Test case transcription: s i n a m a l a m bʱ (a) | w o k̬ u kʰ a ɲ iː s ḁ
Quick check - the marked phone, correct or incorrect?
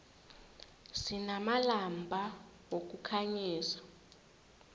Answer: correct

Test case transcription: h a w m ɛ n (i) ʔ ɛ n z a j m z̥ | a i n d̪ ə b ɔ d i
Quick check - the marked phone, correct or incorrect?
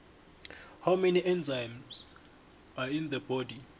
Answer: correct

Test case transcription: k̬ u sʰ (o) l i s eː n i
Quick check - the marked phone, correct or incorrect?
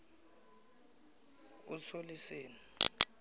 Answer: correct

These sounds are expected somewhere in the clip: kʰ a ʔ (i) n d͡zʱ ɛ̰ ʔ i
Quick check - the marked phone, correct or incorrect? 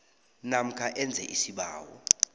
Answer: incorrect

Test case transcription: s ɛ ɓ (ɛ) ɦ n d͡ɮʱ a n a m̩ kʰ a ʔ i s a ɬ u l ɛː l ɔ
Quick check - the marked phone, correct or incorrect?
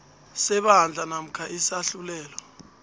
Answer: incorrect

